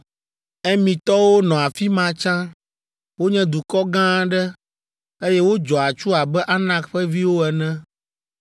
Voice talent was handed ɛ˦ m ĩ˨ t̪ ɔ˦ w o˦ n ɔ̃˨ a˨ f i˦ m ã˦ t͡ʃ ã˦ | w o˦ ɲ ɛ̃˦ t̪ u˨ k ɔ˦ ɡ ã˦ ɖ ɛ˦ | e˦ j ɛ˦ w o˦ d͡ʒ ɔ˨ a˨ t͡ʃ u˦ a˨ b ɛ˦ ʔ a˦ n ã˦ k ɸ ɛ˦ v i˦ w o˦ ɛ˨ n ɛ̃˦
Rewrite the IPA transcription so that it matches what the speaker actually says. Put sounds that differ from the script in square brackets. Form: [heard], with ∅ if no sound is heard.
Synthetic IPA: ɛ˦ m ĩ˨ t̪ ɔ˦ w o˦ n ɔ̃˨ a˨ f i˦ m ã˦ t͡ʃ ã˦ | w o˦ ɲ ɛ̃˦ [d̪] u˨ k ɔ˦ ɡ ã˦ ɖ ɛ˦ | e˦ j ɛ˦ w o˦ d͡ʒ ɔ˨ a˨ t͡ʃ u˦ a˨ b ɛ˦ ʔ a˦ n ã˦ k ɸ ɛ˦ v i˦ w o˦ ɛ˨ n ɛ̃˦